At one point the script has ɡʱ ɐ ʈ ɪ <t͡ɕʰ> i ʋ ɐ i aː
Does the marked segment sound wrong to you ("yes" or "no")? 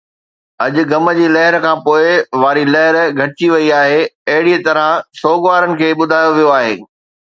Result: yes